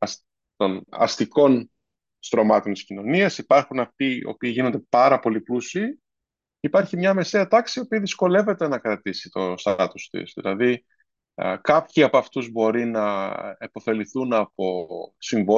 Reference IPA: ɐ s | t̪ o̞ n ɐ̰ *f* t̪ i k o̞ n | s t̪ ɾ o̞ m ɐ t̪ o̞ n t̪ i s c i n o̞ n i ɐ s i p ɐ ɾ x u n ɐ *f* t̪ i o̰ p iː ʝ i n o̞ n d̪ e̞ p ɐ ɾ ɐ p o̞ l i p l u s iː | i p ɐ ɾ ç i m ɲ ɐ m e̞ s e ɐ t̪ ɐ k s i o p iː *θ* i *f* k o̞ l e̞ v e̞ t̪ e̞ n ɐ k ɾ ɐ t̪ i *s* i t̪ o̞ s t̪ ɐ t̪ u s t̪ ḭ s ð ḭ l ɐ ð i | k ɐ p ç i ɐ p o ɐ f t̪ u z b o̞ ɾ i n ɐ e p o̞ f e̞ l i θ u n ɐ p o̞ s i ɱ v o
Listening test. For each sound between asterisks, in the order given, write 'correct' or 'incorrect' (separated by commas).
incorrect, correct, incorrect, incorrect, correct